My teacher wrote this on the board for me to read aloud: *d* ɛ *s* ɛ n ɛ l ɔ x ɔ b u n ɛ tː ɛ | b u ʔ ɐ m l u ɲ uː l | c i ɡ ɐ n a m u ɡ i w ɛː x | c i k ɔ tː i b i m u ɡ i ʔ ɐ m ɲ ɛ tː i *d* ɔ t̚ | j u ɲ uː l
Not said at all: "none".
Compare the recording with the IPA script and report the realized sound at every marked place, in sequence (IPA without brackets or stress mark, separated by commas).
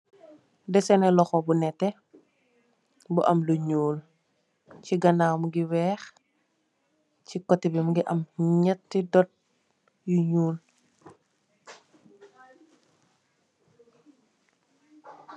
d, s, d